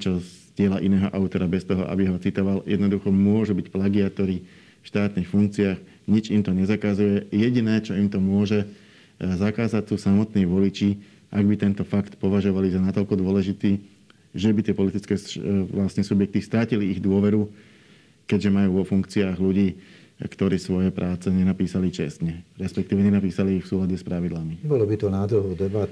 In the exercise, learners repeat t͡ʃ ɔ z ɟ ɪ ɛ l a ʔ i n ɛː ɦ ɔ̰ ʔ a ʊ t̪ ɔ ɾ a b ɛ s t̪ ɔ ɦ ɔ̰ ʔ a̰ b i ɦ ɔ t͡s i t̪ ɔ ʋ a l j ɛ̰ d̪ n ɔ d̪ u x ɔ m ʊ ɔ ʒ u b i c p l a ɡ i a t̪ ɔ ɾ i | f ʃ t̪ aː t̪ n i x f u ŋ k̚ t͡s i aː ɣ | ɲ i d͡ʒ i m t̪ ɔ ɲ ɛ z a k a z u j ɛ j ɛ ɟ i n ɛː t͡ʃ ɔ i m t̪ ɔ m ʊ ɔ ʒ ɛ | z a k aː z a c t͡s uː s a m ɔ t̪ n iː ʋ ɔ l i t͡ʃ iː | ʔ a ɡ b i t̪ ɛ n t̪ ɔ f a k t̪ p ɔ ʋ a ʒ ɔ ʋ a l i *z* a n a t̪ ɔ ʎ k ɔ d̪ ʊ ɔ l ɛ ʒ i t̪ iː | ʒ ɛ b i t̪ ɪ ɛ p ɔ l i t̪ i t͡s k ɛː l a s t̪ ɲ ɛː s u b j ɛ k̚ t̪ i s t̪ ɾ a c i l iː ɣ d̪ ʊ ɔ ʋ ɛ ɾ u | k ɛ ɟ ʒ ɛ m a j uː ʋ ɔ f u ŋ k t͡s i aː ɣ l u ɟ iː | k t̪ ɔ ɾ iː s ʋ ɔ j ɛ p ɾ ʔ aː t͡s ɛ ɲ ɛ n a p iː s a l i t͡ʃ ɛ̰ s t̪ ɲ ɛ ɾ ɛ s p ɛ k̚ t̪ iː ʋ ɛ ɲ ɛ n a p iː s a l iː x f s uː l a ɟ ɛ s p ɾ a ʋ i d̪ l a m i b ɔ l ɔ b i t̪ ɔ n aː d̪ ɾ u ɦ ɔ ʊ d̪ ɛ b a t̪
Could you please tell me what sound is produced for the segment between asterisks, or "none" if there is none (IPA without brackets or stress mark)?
z